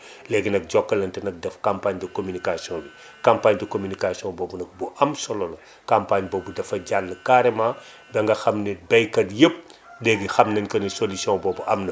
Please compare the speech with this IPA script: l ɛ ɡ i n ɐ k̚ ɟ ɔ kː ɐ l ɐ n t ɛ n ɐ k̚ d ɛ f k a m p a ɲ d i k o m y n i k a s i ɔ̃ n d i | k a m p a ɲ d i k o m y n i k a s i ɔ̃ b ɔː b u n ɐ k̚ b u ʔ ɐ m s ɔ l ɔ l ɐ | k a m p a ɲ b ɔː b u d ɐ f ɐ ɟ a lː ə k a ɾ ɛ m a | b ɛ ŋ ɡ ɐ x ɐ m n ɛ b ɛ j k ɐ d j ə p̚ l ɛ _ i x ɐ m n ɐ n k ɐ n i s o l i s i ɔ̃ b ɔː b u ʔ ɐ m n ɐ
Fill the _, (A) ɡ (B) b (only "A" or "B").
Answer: A